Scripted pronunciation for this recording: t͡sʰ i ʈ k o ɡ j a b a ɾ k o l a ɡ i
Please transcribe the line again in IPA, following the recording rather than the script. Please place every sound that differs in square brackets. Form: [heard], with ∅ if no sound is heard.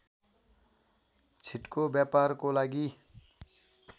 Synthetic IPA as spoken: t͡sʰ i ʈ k o [b] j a [p] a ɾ k o l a ɡ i